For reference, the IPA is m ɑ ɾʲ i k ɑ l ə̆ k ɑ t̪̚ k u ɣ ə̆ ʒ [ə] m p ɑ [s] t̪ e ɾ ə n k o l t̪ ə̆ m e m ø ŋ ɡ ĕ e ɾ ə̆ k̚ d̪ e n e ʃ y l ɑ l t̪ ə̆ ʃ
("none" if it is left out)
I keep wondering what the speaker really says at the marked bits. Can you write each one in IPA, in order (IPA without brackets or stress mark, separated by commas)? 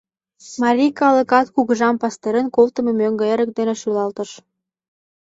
ɑ, s